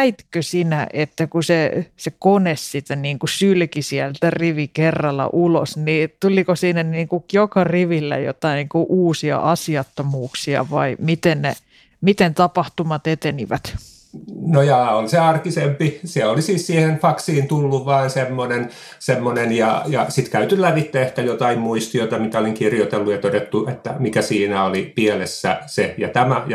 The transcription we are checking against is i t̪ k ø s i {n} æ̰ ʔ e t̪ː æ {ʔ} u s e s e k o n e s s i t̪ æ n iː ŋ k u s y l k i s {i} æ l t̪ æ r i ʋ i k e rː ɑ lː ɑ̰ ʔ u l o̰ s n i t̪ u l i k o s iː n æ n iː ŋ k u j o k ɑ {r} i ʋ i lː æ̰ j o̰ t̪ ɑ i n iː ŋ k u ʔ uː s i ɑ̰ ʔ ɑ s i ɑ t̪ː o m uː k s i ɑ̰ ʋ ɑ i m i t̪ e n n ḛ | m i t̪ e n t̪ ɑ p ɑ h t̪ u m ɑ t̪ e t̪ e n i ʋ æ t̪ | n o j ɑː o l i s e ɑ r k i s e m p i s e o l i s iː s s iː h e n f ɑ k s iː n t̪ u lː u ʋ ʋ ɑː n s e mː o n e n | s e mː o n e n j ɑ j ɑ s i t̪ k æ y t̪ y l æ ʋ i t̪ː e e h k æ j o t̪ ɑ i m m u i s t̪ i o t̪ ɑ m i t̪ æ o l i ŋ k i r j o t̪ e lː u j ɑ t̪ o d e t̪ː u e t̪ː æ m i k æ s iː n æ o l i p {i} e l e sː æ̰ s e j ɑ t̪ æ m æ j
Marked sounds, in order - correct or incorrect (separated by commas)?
correct, incorrect, correct, correct, correct